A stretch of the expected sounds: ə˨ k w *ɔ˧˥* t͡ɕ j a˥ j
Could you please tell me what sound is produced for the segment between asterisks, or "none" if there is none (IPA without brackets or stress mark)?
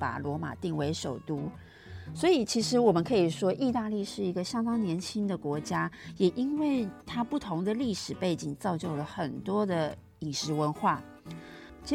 ɔ˧˥